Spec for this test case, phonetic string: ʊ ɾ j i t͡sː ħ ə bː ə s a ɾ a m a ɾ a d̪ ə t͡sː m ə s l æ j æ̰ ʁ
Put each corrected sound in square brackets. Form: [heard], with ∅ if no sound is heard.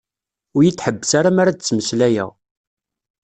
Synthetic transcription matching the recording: ʊ ɾ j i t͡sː ħ ə bː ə s a ɾ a m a ɾ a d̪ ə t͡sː m ə s l æ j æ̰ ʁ